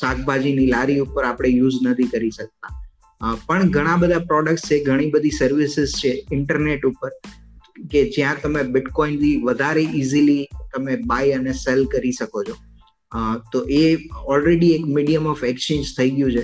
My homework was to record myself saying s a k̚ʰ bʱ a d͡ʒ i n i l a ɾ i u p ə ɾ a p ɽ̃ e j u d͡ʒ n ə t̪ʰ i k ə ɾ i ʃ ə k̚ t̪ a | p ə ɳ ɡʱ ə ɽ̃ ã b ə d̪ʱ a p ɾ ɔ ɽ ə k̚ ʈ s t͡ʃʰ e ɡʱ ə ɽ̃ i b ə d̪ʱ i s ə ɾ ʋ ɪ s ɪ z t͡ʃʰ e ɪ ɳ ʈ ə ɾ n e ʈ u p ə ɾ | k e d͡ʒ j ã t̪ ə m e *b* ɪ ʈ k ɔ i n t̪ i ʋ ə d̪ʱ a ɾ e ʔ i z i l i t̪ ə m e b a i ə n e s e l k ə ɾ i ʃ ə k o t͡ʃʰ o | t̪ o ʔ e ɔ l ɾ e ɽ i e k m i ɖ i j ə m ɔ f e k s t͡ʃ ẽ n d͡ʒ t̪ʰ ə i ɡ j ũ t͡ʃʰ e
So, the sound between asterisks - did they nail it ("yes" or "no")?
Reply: yes